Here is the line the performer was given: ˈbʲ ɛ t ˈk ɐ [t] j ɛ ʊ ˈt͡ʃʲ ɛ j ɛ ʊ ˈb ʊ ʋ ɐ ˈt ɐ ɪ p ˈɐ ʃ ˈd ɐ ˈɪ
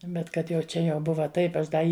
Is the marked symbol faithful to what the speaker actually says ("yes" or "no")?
yes